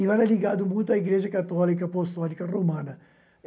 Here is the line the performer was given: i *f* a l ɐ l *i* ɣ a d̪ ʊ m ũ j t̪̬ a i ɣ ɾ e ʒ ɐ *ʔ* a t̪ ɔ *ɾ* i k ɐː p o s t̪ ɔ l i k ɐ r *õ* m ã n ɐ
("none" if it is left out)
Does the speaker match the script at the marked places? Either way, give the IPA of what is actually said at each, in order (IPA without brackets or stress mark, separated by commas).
v, i, k, l, o